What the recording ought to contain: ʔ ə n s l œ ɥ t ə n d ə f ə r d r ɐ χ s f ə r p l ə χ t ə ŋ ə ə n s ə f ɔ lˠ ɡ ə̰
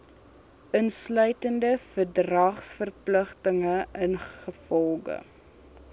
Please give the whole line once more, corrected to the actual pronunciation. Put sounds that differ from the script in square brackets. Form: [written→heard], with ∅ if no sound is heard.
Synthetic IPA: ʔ ə n s l œ ɥ t ə n d ə f ə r d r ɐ χ s f ə r p l ə χ t ə ŋ ə ə n [s→χ] ə f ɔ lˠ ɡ ə̰

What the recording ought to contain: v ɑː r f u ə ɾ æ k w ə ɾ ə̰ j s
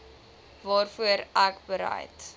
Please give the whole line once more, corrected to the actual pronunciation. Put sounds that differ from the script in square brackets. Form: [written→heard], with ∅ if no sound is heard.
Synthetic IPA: v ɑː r f u ə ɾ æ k [w→b] ə ɾ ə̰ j [s→t]

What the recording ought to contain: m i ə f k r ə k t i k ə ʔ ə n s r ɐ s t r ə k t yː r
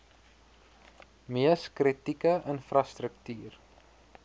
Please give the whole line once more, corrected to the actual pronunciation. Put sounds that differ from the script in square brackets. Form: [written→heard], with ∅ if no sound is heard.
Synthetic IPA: m i ə [f→s] k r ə [k→∅] t i k ə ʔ ə n [s→f] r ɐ s t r ə k t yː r

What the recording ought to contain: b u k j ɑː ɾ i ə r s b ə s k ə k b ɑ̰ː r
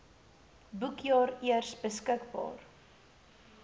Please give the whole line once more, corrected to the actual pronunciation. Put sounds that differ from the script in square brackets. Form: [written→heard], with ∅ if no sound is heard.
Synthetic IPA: b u k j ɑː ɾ i ə r s b ə s k ə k b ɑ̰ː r

